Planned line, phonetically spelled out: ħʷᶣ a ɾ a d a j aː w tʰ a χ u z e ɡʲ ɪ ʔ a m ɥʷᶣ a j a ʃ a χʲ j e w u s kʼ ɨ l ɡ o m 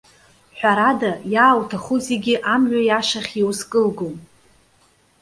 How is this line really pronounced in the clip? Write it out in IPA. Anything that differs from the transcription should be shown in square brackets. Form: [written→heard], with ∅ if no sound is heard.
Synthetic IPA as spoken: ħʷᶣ a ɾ a d a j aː w tʰ a χ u z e ɡʲ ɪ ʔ a m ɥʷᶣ a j a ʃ a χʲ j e w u s kʼ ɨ l ɡ o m